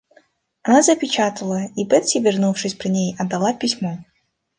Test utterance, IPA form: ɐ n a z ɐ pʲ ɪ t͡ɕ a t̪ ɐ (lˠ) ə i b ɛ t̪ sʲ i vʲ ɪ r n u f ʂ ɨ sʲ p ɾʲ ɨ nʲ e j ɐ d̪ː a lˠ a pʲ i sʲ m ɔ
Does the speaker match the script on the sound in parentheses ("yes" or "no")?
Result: yes